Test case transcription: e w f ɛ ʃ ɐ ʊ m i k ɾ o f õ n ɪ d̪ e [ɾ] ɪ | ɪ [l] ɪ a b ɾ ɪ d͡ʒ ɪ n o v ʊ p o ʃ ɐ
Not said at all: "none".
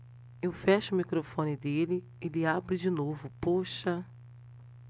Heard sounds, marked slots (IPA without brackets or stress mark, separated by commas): l, l